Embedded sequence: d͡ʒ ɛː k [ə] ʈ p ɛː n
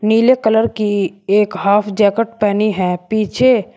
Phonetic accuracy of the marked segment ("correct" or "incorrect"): correct